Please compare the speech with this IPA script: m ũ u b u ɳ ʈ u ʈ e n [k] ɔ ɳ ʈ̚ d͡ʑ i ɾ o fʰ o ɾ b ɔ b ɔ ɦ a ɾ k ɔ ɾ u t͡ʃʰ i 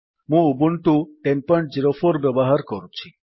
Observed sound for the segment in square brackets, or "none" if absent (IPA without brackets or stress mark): p